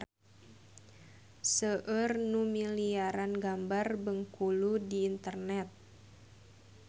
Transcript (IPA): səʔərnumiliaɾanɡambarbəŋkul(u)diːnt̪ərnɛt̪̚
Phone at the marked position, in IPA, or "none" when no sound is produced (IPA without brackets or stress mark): u